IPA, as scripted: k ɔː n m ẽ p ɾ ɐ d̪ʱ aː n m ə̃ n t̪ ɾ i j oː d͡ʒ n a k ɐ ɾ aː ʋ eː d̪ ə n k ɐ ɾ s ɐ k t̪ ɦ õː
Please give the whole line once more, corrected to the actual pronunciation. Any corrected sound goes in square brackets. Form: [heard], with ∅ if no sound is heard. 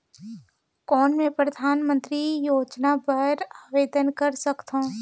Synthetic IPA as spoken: k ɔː n m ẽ p ɾ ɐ d̪ʱ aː n m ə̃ n t̪ ɾ i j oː d͡ʒ n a [p] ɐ ɾ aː ʋ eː d̪ ə n k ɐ ɾ s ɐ k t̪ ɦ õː